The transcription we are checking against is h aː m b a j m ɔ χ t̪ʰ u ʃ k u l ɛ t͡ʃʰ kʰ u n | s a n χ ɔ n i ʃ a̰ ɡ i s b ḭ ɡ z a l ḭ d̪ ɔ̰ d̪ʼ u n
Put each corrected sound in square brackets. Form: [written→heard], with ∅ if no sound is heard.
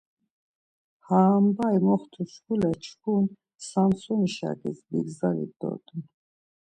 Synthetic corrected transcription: h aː m b a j m ɔ χ t̪ʰ u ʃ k u l ɛ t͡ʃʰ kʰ u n | s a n [χ→s] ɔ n i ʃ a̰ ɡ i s b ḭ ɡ z a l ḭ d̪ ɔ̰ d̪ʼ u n